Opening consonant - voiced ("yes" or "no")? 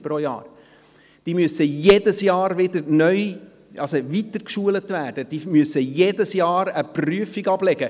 no